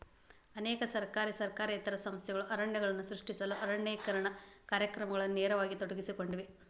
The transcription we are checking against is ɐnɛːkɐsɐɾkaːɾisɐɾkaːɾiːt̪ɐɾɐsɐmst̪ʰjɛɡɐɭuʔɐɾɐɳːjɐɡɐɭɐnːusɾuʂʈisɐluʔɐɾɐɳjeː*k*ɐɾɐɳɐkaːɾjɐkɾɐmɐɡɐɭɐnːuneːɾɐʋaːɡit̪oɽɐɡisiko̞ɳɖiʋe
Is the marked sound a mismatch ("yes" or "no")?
no